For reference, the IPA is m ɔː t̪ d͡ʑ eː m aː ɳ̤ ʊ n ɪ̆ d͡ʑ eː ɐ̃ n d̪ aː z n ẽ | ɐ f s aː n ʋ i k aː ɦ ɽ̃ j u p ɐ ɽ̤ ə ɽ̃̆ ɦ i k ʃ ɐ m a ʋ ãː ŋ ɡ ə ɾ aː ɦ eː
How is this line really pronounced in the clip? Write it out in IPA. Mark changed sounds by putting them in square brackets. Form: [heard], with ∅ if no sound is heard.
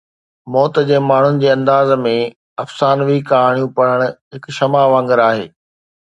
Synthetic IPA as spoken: m ɔː t̪ d͡ʑ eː m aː ɳ̤ ʊ n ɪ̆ d͡ʑ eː ɐ̃ n d̪ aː z [m] ẽ | ɐ f s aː n ʋ i k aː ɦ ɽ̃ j [ũ] p ɐ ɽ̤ ə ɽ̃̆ ɦ [ɪ] k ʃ ɐ m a ʋ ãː ŋ ɡ ə ɾ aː ɦ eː